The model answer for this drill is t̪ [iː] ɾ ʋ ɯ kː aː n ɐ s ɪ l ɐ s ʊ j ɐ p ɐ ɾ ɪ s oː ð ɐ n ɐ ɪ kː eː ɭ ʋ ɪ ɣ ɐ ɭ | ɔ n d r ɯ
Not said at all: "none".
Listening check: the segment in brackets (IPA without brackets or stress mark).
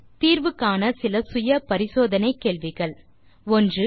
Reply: iː